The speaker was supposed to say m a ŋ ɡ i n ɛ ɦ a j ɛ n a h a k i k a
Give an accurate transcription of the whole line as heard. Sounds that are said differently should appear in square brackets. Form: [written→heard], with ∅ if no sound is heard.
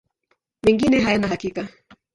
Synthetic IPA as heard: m [a→ɛ] ŋ ɡ i n ɛ ɦ a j [ɛ→a] n a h a k i k a